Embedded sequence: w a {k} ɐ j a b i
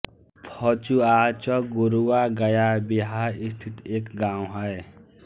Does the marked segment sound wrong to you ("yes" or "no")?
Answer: yes